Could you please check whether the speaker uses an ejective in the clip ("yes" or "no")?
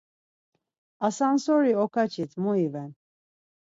no